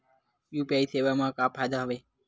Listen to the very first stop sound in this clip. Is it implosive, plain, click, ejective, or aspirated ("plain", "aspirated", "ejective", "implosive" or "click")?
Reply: plain